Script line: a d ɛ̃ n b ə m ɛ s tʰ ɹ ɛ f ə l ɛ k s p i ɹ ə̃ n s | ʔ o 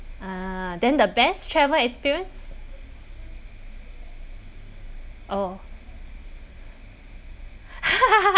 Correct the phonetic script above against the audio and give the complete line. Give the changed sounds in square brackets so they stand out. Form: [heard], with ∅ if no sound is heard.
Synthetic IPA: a d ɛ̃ n [d] ə [b] ɛ s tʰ ɹ ɛ [v] ə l ɛ k s p i ɹ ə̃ n s | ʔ o